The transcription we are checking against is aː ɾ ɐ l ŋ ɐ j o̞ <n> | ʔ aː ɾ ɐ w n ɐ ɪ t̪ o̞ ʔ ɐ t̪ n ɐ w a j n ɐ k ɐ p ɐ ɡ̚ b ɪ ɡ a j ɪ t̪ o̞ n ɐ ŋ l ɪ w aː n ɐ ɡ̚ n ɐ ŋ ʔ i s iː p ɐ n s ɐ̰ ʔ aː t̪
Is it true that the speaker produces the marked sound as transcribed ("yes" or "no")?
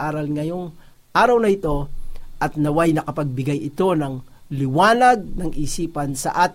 no